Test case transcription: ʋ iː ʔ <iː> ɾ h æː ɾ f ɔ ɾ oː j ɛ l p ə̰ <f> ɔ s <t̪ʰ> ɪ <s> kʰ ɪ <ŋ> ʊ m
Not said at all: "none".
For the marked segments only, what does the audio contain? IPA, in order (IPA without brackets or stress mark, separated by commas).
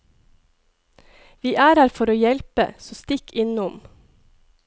æː, s, t̪, none, n